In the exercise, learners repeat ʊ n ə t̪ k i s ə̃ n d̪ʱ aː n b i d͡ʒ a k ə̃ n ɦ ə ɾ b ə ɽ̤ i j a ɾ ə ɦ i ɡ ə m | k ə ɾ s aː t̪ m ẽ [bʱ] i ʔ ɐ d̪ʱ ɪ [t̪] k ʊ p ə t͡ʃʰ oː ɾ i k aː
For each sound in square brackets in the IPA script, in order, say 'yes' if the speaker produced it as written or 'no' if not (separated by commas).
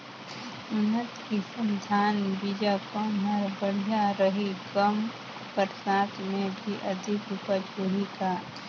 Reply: yes, no